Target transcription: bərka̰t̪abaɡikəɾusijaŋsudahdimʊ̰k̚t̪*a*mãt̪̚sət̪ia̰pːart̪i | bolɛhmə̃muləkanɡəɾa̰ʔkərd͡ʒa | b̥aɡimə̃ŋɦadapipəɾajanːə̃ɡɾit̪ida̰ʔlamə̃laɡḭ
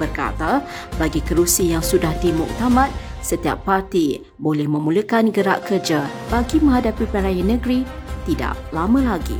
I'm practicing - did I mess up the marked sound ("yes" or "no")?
no